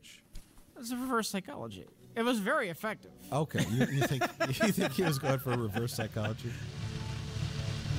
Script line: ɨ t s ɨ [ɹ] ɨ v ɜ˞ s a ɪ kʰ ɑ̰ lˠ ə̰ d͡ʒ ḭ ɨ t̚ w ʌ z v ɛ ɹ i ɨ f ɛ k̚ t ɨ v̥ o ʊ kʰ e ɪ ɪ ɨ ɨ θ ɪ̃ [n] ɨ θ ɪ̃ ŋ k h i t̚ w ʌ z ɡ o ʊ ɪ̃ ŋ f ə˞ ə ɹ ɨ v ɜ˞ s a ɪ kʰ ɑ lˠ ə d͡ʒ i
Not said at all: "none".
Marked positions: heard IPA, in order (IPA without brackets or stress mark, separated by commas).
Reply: ɹ, ŋ